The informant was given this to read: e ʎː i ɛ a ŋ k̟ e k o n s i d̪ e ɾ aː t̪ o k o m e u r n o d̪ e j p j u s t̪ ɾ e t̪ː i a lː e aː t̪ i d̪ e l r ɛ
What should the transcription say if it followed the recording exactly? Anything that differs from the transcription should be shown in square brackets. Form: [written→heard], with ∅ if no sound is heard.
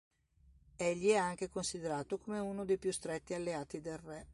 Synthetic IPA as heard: e ʎː i ɛ a ŋ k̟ e k o n s i d̪ e ɾ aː t̪ o k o m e u [r→∅] n o d̪ e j p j u s t̪ ɾ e t̪ː i a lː e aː t̪ i d̪ e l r ɛ

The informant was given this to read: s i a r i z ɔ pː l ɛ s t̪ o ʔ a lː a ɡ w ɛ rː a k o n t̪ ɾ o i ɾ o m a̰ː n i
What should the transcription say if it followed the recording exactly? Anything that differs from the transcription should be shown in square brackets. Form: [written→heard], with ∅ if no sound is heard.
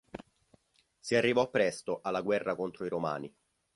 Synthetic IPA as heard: s i a [r→rː] i [z→v] ɔ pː [l→ɾ] ɛ s t̪ o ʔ a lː a ɡ w ɛ rː a k o n t̪ ɾ o i ɾ o m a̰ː n i

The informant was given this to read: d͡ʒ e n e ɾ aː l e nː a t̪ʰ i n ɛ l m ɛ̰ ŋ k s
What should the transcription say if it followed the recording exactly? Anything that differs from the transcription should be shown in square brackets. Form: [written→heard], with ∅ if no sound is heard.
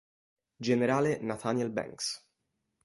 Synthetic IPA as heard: d͡ʒ e n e ɾ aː l e [nː→n] a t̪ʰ [i→a] n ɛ l [m→b] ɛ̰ ŋ k s

